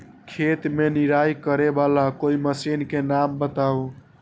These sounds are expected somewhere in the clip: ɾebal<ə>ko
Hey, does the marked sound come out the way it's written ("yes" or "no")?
no